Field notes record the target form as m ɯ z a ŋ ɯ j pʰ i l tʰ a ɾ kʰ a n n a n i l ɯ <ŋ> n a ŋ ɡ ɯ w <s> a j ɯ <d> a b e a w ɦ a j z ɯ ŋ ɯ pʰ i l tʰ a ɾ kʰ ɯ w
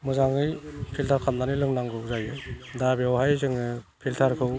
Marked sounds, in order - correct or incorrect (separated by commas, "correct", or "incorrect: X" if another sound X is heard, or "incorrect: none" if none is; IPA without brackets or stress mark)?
correct, incorrect: z, correct